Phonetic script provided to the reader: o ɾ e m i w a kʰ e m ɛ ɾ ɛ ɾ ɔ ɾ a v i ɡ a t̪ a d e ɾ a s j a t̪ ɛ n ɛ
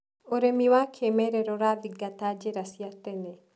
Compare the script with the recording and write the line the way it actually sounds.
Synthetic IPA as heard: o ɾ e m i w a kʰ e m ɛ ɾ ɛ ɾ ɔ ɾ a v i ɡ a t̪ a d͡ʒ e ɾ a s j a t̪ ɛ n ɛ